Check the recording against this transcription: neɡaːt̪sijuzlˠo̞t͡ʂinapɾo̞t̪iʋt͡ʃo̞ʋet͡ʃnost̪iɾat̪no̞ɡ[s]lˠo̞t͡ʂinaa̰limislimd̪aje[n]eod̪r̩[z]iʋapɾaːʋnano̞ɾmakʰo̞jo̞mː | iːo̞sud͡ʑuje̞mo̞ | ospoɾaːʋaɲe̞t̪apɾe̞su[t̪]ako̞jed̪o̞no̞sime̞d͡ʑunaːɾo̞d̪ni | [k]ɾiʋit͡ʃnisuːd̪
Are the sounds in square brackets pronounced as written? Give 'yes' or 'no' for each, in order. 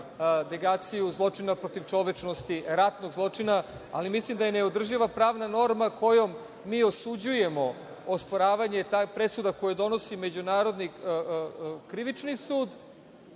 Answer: no, yes, no, no, yes

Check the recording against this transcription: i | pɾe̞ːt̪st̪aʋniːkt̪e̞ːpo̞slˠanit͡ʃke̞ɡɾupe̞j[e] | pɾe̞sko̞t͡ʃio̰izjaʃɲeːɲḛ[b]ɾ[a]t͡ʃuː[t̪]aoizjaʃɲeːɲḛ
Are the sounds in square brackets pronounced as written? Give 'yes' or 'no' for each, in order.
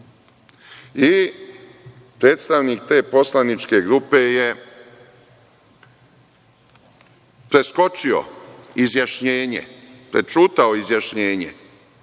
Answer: yes, no, no, yes

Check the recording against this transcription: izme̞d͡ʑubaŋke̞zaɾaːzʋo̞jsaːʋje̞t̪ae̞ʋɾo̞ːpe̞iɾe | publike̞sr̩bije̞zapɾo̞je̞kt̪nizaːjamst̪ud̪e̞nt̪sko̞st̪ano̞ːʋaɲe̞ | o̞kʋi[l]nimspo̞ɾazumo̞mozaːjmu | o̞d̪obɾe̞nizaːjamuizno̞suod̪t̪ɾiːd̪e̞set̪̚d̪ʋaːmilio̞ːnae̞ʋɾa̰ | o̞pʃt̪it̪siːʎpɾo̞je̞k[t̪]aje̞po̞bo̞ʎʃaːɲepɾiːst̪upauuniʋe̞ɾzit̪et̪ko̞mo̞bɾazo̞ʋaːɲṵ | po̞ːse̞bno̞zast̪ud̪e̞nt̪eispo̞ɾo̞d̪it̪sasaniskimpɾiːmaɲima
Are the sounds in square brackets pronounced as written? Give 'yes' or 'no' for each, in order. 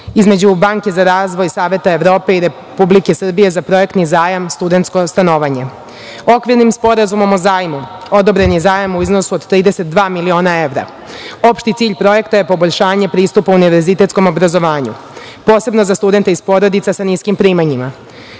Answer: no, yes

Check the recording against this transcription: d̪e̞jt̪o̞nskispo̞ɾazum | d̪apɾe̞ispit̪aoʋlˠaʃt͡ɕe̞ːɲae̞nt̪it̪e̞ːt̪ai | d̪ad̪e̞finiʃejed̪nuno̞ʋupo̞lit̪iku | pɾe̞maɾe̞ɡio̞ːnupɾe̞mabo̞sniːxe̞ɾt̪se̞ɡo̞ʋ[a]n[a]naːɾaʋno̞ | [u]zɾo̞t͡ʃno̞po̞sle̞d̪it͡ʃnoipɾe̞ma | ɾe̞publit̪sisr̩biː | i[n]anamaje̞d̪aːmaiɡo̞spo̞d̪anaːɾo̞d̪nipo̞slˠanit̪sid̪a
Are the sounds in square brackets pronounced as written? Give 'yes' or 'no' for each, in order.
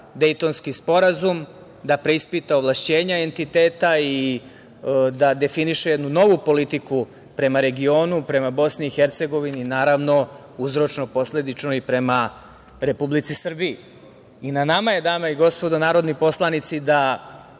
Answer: no, no, yes, yes

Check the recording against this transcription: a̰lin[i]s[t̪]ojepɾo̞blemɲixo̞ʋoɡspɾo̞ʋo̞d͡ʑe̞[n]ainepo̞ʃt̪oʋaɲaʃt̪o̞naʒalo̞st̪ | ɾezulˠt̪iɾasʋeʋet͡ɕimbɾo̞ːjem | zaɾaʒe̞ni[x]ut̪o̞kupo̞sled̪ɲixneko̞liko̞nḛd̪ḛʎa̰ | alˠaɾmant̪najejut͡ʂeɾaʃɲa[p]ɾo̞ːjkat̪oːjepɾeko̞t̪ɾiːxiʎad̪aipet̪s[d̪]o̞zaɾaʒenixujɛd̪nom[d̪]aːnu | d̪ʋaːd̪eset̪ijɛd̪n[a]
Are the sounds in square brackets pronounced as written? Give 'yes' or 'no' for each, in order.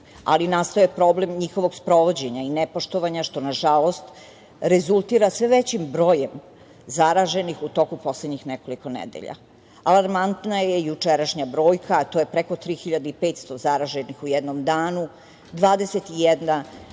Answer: no, yes, no, yes, no, no, yes, yes

